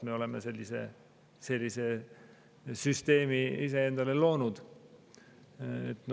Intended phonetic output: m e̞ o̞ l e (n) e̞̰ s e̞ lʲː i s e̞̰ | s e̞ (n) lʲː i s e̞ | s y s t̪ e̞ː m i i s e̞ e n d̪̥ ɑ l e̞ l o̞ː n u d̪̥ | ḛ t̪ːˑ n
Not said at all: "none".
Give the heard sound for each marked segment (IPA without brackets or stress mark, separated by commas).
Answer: m, none